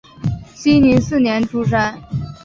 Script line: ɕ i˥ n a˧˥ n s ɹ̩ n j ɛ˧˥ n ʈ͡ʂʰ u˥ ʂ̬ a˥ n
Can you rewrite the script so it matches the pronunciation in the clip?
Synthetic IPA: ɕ i˥ n i˧˥ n s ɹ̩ n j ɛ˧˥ n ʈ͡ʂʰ u˥ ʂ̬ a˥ n

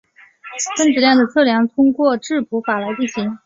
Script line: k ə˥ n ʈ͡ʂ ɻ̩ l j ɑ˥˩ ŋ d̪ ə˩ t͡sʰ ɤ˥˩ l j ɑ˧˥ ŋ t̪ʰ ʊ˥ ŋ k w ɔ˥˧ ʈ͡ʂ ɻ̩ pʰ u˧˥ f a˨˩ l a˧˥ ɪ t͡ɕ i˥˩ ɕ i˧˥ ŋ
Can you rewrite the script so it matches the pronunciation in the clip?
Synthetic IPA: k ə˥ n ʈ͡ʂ ɻ̩ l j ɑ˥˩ ŋ d̪ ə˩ t͡sʰ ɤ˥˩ l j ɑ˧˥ ŋ t̪ʰ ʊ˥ ŋ k w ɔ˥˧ ʈ͡ʂ ɻ̩ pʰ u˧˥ f a˨˩ l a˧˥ ɪ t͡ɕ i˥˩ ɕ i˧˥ ŋ

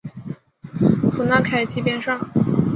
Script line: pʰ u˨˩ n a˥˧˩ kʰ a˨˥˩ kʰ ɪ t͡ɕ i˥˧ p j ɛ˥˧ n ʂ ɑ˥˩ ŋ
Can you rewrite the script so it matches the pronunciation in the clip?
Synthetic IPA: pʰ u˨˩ n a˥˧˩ kʰ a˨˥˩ ɪ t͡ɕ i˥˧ p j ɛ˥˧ n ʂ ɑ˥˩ ŋ

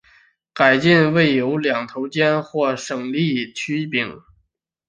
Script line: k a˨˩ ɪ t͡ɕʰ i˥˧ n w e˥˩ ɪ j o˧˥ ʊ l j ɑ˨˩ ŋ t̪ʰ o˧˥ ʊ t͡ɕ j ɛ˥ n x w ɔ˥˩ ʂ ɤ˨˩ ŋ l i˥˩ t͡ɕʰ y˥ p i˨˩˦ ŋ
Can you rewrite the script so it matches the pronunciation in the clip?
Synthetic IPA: k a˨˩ ɪ t͡ɕ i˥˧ n w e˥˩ ɪ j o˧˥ ʊ l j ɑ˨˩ ŋ t̪ʰ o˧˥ ʊ t͡ɕ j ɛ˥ n x w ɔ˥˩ ʂ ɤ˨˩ ŋ l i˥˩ t͡ɕʰ y˥ p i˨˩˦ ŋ

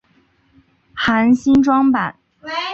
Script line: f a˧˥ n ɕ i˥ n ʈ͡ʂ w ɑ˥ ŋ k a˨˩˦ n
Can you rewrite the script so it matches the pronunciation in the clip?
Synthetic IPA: x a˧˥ n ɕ i˥ n ʈ͡ʂ w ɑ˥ ŋ p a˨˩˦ n

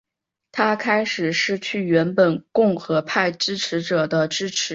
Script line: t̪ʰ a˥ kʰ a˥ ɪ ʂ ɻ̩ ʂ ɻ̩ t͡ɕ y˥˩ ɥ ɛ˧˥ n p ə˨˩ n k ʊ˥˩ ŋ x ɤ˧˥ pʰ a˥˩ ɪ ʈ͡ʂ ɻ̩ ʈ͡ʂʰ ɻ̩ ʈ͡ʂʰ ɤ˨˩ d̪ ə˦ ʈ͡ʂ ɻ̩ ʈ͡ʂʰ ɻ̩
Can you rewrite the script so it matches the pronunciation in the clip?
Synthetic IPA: t̪ʰ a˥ kʰ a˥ ɪ ʂ ɻ̩ ʂ ɻ̩ t͡ɕʰ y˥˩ ɥ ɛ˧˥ n p ə˨˩ n k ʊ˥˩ ŋ x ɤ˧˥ pʰ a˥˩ ɪ ʈ͡ʂ ɻ̩ ʈ͡ʂʰ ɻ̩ ʈ͡ʂ ɤ˨˩ d̪ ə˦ ʈ͡ʂ ɻ̩ ʈ͡ʂʰ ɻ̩

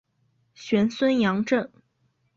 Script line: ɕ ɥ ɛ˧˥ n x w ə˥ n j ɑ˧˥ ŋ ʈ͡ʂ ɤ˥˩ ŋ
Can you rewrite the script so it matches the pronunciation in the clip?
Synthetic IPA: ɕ ɥ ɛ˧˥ n s w ə˥ n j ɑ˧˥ ŋ ʈ͡ʂ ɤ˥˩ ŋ

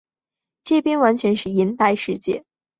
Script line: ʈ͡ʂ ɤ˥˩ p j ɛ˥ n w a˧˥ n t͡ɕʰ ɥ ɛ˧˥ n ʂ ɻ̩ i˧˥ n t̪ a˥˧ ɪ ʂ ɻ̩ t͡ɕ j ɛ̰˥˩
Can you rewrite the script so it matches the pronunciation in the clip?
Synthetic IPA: ʈ͡ʂ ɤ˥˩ p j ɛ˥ n w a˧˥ n t͡ɕʰ ɥ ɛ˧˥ n ʂ ɻ̩ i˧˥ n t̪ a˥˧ ɪ ʂ ɻ̩ t͡ɕ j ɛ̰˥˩

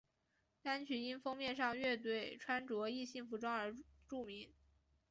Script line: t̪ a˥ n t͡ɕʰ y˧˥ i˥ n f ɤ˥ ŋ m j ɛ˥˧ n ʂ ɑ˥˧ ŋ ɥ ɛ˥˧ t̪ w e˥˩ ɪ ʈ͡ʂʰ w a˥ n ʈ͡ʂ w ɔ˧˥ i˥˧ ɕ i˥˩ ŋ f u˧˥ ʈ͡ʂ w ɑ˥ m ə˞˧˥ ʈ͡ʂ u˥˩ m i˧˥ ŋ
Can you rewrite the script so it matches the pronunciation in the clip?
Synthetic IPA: t̪ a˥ n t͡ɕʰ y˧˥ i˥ n f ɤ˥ ŋ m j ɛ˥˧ n ʂ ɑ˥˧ ŋ ɥ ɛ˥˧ t̪ w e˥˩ ɪ ʈ͡ʂʰ w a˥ n ʈ͡ʂ w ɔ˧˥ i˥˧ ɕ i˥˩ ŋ f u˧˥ ʈ͡ʂ w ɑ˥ ŋ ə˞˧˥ ʈ͡ʂ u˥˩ m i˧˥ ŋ

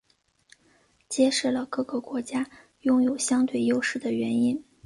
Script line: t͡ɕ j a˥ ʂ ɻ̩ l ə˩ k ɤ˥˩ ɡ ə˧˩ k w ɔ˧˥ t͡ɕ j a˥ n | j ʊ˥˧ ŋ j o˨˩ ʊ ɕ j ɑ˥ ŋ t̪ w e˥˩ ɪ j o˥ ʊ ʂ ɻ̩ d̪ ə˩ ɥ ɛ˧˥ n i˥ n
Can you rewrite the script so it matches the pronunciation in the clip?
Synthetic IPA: t͡ɕ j ɛ˥ ʂ ɻ̩ l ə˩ k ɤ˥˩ ɡ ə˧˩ k w ɔ˧˥ t͡ɕ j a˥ | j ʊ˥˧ ŋ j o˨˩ ʊ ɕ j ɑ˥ ŋ t̪ w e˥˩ ɪ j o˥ ʊ ʂ ɻ̩ d̪ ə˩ ɥ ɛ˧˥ n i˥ n

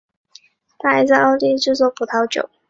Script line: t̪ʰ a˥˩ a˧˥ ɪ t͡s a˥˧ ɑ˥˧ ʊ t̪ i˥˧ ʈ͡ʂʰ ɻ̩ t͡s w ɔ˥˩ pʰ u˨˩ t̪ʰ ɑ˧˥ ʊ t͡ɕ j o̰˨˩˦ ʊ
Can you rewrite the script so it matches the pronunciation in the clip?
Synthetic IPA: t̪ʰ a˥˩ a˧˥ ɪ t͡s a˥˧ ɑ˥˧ ʊ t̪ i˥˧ ʈ͡ʂ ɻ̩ t͡s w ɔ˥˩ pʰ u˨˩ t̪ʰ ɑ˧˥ ʊ t͡ɕ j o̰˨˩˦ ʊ

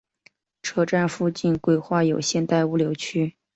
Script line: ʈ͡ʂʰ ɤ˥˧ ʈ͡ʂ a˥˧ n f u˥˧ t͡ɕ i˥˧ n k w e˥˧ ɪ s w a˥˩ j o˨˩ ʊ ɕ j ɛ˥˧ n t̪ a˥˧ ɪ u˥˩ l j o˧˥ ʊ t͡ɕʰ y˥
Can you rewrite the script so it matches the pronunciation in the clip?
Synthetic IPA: ʈ͡ʂʰ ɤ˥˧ ʈ͡ʂ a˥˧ n f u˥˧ t͡ɕ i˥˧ n k w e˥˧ ɪ x w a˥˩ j o˨˩ ʊ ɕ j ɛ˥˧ n t̪ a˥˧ ɪ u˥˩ l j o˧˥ ʊ t͡ɕʰ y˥

